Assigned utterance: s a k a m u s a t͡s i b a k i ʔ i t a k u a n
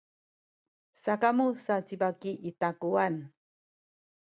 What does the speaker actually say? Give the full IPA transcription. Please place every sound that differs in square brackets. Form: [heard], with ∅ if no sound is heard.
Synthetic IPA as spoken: s a k a m u s a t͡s i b a k i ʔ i t a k u a n